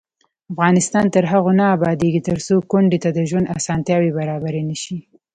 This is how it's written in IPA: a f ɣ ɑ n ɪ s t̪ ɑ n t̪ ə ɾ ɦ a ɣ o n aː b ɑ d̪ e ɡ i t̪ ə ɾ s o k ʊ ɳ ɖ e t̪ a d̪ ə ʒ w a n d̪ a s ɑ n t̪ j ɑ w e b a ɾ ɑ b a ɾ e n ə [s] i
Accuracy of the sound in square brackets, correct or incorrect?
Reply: incorrect